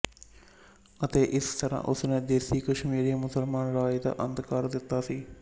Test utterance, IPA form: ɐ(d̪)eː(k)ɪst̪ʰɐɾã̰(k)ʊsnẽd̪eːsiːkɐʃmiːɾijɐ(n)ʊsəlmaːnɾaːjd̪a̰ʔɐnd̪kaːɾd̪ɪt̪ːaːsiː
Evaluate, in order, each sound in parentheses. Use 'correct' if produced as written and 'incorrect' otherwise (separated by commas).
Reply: incorrect, incorrect, incorrect, incorrect